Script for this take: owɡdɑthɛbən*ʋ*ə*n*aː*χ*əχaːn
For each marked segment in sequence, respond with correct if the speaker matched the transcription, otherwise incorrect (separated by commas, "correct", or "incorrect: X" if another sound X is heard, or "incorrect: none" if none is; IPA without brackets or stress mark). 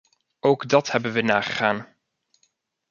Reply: correct, correct, correct